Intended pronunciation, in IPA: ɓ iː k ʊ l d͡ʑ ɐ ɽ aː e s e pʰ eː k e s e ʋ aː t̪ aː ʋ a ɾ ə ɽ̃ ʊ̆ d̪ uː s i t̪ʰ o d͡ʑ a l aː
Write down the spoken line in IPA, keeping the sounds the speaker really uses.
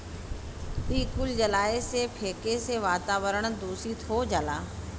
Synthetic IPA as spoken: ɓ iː k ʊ l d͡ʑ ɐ l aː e s e pʰ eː k e s e ʋ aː t̪ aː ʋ ə ɾ ə ɽ̃ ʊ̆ d̪ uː s i t̪ʰ o d͡ʑ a l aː